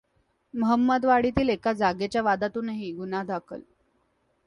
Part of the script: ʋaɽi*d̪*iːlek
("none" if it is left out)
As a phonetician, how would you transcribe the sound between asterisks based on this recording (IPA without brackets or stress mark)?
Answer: t̪